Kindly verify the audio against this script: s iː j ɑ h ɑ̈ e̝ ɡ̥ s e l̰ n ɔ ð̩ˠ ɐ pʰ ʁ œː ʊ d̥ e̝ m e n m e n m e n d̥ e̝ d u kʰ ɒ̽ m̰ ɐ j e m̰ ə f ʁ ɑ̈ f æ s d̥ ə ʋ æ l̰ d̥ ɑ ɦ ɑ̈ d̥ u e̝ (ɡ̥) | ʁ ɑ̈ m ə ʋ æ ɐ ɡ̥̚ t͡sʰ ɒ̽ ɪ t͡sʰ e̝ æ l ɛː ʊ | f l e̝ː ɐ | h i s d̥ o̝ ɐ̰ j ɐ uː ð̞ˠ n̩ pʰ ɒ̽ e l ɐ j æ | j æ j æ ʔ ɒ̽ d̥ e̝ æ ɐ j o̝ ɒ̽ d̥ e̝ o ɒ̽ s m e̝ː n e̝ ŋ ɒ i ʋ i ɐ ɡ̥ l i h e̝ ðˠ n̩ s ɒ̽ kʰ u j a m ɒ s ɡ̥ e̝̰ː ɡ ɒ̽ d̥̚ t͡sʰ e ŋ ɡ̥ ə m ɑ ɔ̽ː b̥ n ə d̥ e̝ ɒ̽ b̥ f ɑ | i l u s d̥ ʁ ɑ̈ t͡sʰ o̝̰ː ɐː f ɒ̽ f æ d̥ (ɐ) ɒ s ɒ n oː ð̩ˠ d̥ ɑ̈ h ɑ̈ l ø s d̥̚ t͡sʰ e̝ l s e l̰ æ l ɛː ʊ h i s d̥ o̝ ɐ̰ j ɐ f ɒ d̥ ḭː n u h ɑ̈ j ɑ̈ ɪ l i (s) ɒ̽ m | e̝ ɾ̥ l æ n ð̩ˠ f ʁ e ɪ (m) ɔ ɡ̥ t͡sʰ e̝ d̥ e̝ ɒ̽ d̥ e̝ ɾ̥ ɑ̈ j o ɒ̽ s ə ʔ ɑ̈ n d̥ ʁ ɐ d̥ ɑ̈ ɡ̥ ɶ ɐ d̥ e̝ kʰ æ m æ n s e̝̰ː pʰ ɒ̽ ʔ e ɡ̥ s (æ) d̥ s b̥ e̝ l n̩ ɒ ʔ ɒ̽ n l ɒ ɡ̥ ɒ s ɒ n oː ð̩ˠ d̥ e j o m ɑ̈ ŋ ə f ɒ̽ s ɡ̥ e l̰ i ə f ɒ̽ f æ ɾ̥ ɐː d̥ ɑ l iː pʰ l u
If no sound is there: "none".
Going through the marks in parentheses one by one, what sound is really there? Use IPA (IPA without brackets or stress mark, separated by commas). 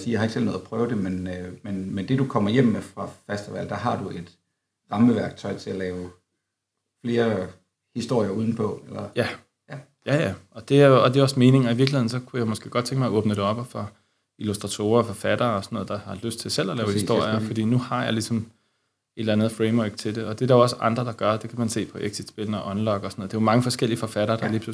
d̥, ɐː, s, m, i